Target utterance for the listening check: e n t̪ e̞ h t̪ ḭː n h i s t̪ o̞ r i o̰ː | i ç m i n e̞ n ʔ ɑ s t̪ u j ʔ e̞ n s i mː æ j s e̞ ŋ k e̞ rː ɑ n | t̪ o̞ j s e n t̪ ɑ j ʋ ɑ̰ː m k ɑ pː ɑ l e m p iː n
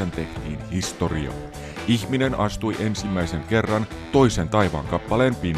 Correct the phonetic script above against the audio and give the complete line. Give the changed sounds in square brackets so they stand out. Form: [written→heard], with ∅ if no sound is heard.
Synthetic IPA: e n t̪ e̞ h t̪ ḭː n h i s t̪ o̞ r i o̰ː | i ç m i n e̞ n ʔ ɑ s t̪ u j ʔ e̞ n s i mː æ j s e̞ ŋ k e̞ rː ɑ n | t̪ o̞ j s e n t̪ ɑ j ʋ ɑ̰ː [m→ŋ] k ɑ pː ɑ l e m p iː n